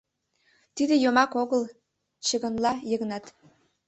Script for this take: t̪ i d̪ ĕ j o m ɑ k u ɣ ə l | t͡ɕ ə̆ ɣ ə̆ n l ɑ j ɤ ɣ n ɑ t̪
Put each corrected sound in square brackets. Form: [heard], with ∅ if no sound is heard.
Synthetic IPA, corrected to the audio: t̪ i d̪ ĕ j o m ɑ k [o] ɣ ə l | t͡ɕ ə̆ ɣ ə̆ n l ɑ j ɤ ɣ n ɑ t̪